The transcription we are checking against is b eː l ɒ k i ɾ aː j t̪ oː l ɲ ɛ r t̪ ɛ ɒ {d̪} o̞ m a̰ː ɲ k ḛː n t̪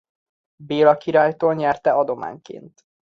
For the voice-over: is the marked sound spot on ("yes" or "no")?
yes